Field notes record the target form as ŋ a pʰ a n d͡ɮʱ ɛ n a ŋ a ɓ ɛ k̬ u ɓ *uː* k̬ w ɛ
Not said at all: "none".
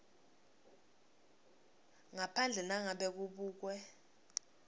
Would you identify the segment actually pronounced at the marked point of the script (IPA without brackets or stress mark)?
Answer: uː